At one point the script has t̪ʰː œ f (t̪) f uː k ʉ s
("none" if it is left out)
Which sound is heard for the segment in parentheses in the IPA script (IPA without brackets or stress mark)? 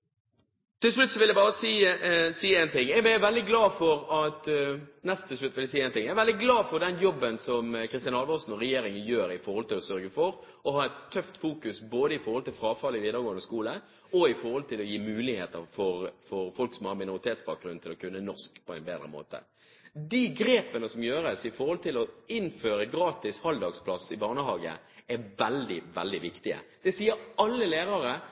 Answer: t̪